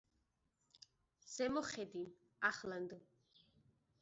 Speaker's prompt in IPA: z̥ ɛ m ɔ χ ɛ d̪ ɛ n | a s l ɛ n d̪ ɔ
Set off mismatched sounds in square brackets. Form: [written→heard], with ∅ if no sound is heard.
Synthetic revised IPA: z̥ ɛ m ɔ χ ɛ d̪ [ɛ→i] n | a [s→χ] l [ɛ→a] n d̪ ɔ